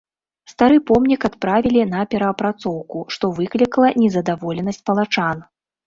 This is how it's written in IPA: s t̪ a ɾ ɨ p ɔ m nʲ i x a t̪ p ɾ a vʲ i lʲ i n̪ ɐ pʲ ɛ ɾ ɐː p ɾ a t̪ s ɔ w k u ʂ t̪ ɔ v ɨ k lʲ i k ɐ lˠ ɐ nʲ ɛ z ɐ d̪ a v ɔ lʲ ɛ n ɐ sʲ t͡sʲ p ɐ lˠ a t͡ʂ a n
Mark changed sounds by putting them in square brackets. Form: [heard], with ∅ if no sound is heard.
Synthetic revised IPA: s t̪ a ɾ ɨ p ɔ m nʲ i [k] a t̪ p ɾ a vʲ i lʲ i n̪ ɐ pʲ ɛ ɾ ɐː p ɾ a t̪ s ɔ w k u ʂ t̪ ɔ v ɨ k lʲ i k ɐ lˠ ɐ nʲ ɛ z ɐ d̪ a v ɔ lʲ ɛ n ɐ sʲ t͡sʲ p ɐ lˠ a t͡ʂ a n